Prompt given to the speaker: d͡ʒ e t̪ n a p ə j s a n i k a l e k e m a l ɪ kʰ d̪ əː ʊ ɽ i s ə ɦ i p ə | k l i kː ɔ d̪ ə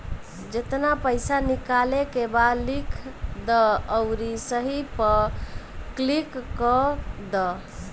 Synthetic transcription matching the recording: d͡ʒ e t̪ n a p ə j s a n i k a l e k e b a l i kʰ d̪ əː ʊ ɾ i s ə ɦ i p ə | k l i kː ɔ d̪ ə